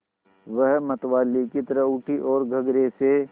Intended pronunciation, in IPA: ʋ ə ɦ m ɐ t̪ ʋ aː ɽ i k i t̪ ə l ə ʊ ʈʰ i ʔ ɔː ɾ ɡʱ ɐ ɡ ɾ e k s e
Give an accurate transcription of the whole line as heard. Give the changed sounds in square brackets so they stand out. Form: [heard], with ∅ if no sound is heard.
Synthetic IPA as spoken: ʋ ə ɦ m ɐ t̪ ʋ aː [l] i k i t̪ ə [ɾ] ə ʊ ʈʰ i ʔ ɔː ɾ ɡʱ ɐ ɡ ɾ e [∅] s e